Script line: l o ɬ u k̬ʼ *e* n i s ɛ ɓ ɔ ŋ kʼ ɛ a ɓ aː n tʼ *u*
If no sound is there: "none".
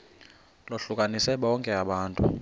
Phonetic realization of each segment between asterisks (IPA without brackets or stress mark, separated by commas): a, u